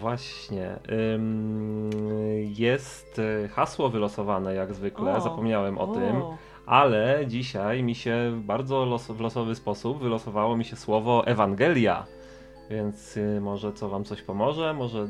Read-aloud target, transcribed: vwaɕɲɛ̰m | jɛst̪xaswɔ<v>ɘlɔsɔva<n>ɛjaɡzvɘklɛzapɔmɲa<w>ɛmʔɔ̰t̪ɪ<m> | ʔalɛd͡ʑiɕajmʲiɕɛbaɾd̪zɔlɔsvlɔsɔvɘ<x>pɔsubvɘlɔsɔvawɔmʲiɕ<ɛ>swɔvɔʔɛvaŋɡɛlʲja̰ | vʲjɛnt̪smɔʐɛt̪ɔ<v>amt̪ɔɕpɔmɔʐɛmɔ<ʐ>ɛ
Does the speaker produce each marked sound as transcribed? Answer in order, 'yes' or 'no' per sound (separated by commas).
yes, yes, yes, yes, no, yes, yes, yes